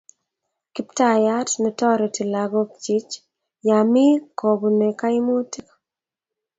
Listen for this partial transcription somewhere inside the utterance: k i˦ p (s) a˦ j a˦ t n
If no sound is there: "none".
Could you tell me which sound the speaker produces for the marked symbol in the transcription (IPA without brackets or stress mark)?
t